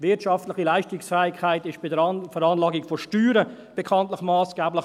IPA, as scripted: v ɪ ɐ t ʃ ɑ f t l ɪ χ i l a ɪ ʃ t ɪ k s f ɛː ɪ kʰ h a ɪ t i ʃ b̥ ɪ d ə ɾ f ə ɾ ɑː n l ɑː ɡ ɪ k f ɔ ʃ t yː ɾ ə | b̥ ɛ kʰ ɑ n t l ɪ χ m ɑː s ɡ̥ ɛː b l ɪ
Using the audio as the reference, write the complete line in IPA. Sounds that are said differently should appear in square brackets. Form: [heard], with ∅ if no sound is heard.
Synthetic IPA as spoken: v ɪ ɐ t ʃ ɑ f t l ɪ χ i l a ɪ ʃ t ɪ k s f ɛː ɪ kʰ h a ɪ t [ɪ] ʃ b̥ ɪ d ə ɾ f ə ɾ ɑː n l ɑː ɡ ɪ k f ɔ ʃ t yː ɾ ə | b̥ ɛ kʰ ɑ n t l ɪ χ m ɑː s ɡ̥ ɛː b l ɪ